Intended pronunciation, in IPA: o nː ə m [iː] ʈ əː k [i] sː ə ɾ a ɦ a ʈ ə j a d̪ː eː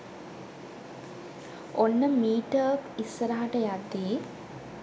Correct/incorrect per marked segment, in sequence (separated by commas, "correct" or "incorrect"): correct, correct